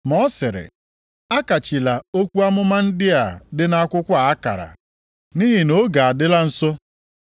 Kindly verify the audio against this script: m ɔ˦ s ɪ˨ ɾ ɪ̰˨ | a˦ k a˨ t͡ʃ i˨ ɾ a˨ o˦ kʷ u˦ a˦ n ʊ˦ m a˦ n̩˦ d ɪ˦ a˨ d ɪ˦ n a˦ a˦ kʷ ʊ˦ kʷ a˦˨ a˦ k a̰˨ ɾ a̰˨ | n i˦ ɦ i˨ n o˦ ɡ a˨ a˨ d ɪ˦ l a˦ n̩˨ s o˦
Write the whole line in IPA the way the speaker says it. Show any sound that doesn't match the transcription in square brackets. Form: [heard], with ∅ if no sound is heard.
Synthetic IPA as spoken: m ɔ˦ s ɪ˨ ɾ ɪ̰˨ | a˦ k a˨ t͡ʃ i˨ [l] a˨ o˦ kʷ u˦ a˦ [m] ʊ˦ m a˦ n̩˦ d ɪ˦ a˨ d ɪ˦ n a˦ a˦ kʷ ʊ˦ kʷ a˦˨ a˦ k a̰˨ ɾ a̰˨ | n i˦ ɦ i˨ n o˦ ɡ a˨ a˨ d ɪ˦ l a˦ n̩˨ s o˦